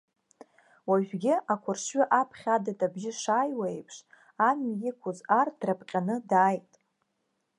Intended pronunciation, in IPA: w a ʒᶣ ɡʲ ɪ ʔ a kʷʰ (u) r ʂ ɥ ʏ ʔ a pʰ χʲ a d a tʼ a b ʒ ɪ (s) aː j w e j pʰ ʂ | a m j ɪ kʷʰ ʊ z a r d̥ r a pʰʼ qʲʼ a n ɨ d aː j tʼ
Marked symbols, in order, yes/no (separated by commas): no, no